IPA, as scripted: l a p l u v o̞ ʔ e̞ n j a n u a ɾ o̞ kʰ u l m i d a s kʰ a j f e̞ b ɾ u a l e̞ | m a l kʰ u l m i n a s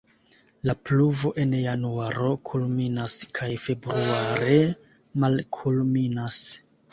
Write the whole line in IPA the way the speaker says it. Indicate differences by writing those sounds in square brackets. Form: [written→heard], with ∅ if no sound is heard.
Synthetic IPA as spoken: l a p l u v o̞ ʔ e̞ n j a n u a ɾ o̞ kʰ u l m i [d→n] a s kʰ a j f e̞ b ɾ u a [l→ɾ] e̞ | m a l kʰ u l m i n a s